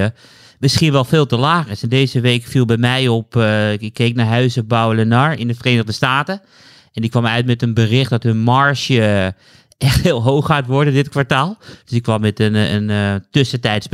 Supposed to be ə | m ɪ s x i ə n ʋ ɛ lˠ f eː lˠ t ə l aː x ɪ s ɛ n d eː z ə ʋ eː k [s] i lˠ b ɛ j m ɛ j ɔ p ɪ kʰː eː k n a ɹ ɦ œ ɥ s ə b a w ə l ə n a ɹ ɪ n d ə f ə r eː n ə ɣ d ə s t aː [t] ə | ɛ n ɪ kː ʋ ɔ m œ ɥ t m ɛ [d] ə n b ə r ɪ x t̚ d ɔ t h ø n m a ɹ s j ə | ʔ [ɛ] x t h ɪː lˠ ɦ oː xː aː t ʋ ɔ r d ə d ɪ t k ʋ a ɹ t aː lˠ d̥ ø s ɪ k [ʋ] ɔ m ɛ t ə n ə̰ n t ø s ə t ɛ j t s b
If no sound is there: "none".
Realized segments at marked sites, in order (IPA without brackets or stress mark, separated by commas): f, t, t, ɛ, ʋ